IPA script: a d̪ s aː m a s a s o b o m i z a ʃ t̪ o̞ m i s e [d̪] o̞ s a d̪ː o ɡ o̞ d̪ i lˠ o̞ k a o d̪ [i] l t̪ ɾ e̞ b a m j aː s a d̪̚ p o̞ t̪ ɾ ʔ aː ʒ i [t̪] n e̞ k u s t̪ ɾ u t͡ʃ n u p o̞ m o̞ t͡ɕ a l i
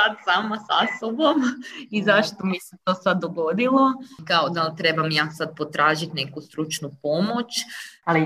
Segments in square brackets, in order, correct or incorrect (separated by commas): incorrect, incorrect, correct